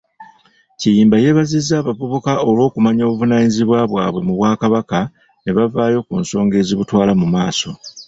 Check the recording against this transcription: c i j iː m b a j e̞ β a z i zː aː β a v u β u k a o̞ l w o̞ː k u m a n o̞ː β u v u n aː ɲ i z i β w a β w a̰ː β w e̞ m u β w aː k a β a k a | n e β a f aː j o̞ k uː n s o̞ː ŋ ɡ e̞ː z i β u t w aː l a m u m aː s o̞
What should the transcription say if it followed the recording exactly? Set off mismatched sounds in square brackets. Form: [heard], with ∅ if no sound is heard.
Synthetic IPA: c i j iː m b a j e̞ β a z i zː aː β a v u β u k a o̞ l w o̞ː k u m a [ɲ] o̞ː β u v u n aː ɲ i z i β w a β w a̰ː β w e̞ m u β w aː k a β a k a | n e β a [v] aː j o̞ k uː n s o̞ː ŋ ɡ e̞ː z i β u t w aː l a m u m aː s o̞